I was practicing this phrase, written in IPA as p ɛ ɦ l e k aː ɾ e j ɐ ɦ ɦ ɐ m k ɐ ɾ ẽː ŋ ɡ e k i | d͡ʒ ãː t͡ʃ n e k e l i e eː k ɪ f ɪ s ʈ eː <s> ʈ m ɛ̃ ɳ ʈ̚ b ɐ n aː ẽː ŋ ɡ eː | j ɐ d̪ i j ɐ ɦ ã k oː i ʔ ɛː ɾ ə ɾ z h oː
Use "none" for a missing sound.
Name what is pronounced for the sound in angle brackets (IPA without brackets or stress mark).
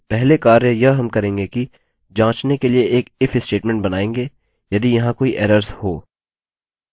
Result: none